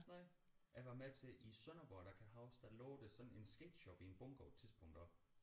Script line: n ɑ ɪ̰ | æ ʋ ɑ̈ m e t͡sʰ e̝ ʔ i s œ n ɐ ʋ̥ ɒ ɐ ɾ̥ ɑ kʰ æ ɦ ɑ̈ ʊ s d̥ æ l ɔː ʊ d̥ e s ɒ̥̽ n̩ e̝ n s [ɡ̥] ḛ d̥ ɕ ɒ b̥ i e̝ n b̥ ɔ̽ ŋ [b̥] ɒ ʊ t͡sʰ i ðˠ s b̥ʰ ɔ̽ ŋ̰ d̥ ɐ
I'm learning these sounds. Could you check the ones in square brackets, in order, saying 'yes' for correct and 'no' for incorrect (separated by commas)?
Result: yes, no